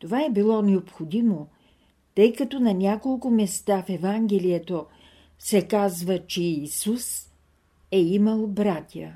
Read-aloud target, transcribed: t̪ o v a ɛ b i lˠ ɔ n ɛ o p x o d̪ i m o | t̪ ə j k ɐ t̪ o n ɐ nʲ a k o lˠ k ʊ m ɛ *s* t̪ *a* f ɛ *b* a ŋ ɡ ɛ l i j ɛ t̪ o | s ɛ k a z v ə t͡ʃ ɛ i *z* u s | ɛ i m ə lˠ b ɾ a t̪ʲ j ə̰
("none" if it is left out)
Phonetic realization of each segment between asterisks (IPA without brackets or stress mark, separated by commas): s, a, v, s